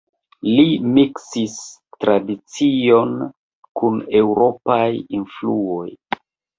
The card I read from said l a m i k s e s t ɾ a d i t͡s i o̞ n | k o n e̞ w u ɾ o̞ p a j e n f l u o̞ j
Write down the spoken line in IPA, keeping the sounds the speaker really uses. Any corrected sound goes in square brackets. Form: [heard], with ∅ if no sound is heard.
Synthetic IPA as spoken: l [i] m i k s [i] s t ɾ a d i t͡s i o̞ n | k [u] n e̞ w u ɾ o̞ p a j [i] n f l u o̞ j